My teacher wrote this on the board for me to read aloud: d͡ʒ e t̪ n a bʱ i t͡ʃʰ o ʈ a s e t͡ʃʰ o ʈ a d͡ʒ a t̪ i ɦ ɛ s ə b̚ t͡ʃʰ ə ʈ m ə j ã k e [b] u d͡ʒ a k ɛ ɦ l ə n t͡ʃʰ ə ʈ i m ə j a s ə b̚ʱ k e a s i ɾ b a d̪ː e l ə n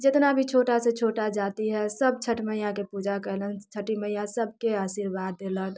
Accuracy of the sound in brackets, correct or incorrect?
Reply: incorrect